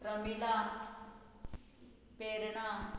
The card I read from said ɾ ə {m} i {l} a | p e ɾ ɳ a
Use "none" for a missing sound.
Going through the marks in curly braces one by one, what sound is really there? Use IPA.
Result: m, l

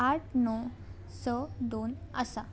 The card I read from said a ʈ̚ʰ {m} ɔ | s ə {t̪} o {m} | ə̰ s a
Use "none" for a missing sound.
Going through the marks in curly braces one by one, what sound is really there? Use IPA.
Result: n, d̪, n

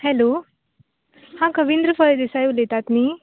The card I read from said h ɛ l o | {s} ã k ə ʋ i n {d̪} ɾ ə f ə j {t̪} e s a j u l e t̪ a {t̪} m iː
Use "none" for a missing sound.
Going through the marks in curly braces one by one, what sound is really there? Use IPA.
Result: h, d̪, d̪, t̪

